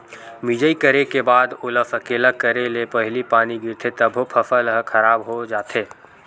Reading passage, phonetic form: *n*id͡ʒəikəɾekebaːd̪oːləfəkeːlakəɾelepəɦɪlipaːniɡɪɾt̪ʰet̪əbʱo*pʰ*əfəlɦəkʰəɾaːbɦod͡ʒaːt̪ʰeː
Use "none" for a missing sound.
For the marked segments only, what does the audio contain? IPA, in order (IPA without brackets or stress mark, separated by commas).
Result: m, pʰ